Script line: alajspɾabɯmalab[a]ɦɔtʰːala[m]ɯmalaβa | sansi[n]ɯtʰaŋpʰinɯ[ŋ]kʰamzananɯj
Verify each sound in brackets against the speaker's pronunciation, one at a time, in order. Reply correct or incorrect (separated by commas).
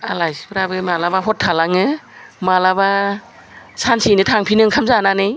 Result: correct, incorrect, correct, correct